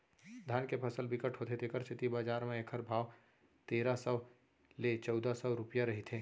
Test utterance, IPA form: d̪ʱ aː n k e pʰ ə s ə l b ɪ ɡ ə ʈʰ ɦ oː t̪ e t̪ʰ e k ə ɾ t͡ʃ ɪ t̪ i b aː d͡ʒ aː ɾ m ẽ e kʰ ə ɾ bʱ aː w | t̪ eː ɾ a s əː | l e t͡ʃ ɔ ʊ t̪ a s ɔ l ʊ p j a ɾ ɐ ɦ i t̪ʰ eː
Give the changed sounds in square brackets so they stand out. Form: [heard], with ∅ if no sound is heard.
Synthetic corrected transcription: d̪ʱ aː n k e pʰ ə s ə l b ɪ [k] ə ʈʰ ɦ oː t̪ e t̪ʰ e k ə ɾ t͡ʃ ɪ t̪ i b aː d͡ʒ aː ɾ m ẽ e kʰ ə ɾ bʱ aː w | t̪ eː ɾ a s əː | l e t͡ʃ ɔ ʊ [d̪] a s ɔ [ɾ] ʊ p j a ɾ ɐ ɦ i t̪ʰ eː